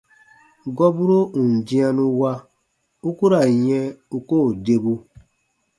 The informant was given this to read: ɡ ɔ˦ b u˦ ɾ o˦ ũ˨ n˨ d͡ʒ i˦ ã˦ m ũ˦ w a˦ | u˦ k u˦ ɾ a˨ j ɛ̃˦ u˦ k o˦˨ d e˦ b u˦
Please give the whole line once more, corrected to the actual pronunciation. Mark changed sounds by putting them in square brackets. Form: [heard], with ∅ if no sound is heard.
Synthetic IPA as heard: ɡ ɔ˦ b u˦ ɾ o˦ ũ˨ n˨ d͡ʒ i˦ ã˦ [n] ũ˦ w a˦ | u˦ k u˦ ɾ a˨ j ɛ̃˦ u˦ k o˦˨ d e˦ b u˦